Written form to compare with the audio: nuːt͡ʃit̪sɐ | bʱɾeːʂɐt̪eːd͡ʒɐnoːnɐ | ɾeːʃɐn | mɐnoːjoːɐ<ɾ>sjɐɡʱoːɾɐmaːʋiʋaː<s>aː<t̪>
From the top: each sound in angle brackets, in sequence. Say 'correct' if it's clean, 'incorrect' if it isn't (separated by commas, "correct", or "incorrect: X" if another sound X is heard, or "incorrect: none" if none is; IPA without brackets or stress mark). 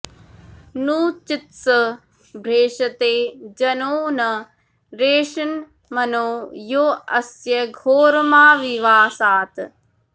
incorrect: none, correct, correct